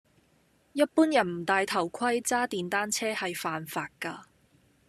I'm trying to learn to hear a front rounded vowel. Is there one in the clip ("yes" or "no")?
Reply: no